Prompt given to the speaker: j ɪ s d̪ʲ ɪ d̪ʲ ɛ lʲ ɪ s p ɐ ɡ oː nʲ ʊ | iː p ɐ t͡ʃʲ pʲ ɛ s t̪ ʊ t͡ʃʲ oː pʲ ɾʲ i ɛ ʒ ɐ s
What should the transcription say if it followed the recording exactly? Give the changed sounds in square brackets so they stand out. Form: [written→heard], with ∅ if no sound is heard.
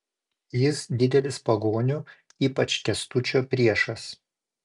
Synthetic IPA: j ɪ s d̪ʲ ɪ d̪ʲ ɛ lʲ ɪ s p ɐ ɡ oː nʲ ʊ | iː p ɐ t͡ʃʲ [pʲ→kʲ] ɛ s t̪ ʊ t͡ʃʲ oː pʲ ɾʲ i ɛ [ʒ→ʃ] ɐ s

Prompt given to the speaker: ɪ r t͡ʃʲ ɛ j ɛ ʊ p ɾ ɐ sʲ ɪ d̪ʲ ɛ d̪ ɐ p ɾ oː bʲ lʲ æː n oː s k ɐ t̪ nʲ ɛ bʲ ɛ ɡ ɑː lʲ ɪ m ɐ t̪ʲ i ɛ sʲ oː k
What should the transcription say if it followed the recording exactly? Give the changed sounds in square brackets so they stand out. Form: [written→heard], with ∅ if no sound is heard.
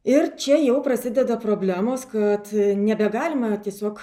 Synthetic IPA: ɪ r t͡ʃʲ ɛ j ɛ ʊ p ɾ ɐ sʲ ɪ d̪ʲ ɛ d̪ ɐ p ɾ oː bʲ lʲ æː [n→m] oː s k ɐ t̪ nʲ ɛ bʲ ɛ ɡ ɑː lʲ ɪ m ɐ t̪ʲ i ɛ sʲ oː k

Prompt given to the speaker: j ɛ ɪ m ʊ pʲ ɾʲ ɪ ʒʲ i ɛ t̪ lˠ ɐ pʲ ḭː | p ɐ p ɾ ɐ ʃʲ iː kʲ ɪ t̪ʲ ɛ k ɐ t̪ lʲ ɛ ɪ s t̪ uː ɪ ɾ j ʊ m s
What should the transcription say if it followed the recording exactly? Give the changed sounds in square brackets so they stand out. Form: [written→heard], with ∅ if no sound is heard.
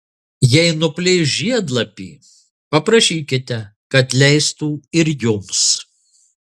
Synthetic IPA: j ɛ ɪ [m→n] ʊ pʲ [ɾʲ→lʲ] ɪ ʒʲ i ɛ [t̪→d̪] lˠ ɐ pʲ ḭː | p ɐ p ɾ ɐ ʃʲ iː kʲ ɪ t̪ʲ ɛ k ɐ t̪ lʲ ɛ ɪ s t̪ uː ɪ ɾ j ʊ m s

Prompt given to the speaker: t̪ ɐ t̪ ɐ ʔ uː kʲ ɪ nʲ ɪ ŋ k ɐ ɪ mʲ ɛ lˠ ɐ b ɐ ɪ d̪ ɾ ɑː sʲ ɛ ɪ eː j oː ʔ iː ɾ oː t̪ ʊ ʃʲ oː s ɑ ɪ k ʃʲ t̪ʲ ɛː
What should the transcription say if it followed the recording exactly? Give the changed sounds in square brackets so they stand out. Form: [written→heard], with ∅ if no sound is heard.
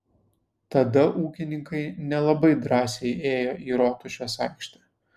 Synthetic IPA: t̪ ɐ [t̪→d̪] ɐ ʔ uː kʲ ɪ nʲ ɪ ŋ k ɐ ɪ [mʲ→nʲ] ɛ lˠ ɐ b ɐ ɪ d̪ ɾ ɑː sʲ ɛ ɪ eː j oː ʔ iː ɾ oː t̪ ʊ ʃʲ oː s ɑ ɪ k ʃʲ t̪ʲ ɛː

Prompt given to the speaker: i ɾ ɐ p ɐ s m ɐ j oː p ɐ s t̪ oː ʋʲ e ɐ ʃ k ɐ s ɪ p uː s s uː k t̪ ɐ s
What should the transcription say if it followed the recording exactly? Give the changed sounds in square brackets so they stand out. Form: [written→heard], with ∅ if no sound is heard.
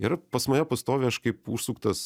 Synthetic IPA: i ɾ ɐ p ɐ s m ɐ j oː p ɐ s t̪ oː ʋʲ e ɐ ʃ k ɐ [s→∅] ɪ p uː [s→ʃ] s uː k t̪ ɐ s

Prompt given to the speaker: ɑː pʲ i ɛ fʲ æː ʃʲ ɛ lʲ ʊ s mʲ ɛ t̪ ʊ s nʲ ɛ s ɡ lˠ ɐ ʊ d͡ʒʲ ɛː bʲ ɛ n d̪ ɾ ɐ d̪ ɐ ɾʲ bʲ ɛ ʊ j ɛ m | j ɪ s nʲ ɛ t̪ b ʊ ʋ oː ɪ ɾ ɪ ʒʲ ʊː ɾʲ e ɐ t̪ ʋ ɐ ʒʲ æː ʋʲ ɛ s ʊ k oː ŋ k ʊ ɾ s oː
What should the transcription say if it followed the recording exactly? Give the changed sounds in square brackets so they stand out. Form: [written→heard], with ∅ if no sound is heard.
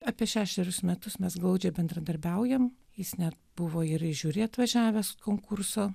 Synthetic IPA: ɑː pʲ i ɛ [fʲ→ʃʲ] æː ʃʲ ɛ [lʲ→ɾʲ] ʊ s mʲ ɛ t̪ ʊ s [nʲ→mʲ] ɛ s ɡ lˠ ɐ ʊ d͡ʒʲ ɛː bʲ ɛ n d̪ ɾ ɐ d̪ ɐ ɾʲ bʲ ɛ ʊ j ɛ m | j ɪ s nʲ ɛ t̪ b ʊ ʋ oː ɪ ɾ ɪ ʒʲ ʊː ɾʲ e ɐ t̪ ʋ ɐ ʒʲ æː ʋʲ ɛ s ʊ k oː ŋ k ʊ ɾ s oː

